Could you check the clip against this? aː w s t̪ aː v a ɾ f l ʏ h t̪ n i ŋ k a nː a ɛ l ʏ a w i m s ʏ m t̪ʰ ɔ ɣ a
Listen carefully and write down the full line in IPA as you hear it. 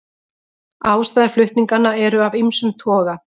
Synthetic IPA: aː w s t̪ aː ð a ɾ f l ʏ h t̪ n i ŋ k a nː a ɛ ɾ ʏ a v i m s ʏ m t̪ʰ ɔː ɣ a